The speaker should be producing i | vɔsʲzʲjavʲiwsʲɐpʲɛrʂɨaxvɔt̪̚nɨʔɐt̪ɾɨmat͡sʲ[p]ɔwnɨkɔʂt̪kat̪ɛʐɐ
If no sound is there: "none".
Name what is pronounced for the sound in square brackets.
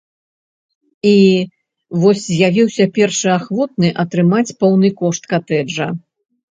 p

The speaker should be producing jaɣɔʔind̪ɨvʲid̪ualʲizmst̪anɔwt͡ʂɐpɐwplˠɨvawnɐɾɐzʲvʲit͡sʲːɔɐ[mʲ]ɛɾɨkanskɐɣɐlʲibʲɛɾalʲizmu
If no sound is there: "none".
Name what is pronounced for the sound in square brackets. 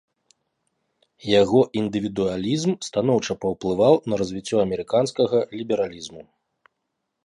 mʲ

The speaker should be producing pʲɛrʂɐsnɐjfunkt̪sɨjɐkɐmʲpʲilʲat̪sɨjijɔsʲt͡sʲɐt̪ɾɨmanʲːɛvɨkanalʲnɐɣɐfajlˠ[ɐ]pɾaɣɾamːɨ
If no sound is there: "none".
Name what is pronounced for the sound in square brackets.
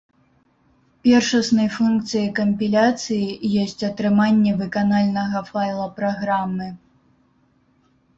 ɐ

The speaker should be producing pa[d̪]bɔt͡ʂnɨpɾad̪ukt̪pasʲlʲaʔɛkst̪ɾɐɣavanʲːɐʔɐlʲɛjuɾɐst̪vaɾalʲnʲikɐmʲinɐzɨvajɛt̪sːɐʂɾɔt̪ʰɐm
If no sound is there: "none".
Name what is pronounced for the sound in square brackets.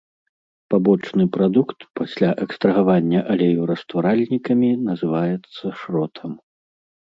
none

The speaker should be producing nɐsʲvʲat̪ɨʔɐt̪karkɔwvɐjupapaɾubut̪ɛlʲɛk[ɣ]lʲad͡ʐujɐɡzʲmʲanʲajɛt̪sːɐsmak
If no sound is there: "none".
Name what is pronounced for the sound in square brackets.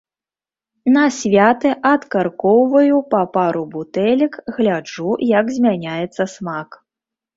ɣ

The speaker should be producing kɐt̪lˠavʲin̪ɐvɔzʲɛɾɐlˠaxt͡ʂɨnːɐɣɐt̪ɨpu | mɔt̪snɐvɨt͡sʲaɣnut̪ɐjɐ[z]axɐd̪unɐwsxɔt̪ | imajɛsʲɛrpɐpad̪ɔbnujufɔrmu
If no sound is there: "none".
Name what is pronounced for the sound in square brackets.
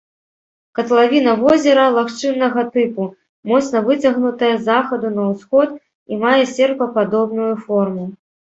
z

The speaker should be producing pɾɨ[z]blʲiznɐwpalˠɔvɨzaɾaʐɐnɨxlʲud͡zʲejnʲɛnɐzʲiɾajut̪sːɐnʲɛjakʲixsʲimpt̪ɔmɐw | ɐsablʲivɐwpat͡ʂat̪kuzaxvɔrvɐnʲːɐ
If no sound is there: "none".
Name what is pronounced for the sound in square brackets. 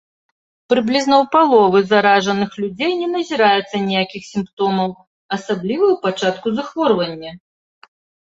none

